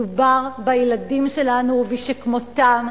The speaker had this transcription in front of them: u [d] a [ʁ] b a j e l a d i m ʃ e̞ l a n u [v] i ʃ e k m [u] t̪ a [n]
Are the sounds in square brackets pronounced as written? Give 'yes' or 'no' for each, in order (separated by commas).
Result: no, yes, yes, no, no